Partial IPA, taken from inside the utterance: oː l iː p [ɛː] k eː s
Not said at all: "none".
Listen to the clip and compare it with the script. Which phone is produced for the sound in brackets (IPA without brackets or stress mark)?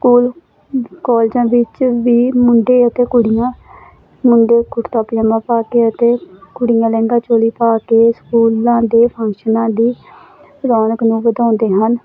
aː